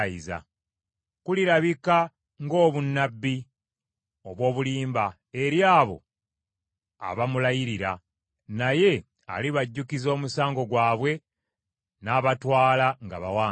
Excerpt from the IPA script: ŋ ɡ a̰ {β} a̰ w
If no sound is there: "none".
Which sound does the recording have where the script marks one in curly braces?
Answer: β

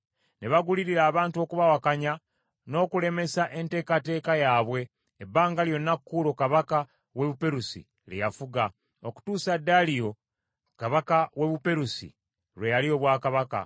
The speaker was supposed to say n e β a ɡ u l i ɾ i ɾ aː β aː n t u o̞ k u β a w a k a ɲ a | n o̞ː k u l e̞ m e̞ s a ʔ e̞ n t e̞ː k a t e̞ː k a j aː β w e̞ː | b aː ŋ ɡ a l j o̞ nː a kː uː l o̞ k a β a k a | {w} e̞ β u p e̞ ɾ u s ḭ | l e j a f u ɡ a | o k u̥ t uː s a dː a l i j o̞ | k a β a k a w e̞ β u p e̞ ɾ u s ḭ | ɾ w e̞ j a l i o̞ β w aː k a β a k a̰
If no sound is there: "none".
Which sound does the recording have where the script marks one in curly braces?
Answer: w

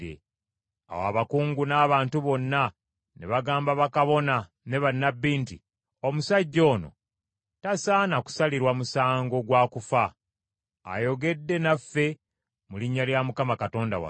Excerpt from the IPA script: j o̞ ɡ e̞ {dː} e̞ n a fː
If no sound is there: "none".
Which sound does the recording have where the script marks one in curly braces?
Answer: dː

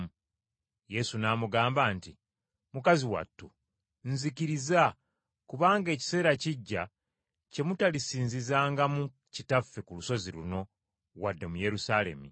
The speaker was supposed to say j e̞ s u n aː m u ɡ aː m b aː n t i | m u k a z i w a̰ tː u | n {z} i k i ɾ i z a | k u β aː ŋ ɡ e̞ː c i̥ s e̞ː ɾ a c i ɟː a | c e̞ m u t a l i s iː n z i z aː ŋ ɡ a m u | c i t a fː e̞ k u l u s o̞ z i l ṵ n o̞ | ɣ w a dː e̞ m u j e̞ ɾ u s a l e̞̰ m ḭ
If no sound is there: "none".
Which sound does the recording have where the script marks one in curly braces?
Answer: z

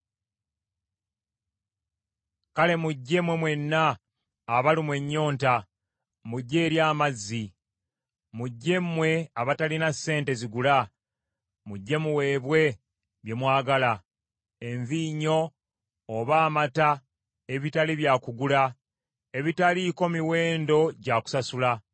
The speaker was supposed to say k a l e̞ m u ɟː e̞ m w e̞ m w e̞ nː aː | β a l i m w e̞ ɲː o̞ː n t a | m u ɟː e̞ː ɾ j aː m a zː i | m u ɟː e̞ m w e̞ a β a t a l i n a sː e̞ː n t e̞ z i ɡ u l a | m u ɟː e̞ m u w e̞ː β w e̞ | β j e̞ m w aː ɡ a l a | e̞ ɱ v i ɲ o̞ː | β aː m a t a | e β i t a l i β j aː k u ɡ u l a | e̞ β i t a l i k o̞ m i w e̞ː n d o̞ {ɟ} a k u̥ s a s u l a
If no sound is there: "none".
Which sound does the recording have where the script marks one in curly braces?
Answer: ɟ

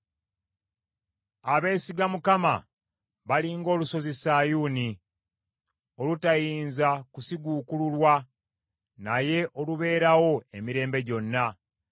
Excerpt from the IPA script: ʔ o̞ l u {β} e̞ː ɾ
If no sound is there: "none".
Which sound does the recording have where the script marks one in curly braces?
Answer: β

